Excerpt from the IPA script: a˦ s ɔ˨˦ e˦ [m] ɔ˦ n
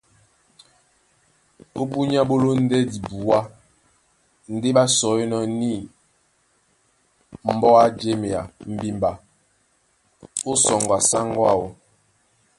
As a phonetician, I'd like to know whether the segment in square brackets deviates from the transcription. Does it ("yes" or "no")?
yes